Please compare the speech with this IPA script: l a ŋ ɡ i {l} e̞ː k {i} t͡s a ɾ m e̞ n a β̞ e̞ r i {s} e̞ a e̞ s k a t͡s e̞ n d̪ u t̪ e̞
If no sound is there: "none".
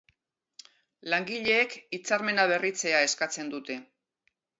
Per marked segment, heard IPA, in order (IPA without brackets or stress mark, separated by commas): ʎ, i, t͡s